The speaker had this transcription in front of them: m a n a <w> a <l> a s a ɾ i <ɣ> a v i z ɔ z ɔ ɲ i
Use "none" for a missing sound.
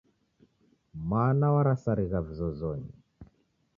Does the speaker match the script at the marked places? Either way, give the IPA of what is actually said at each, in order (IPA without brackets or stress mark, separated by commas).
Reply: w, ɾ, ɣ